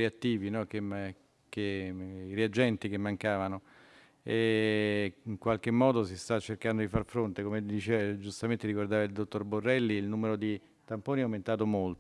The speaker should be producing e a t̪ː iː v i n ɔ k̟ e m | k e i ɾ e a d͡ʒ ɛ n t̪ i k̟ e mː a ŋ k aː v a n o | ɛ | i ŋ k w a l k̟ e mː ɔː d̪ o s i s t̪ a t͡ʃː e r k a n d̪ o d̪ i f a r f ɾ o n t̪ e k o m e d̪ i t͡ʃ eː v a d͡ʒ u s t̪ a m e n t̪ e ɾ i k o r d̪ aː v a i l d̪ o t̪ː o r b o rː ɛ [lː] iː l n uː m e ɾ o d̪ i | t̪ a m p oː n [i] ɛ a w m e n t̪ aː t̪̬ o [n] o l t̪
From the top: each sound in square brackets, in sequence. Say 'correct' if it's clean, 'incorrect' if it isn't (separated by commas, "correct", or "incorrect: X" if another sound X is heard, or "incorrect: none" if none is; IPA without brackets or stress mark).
correct, correct, incorrect: m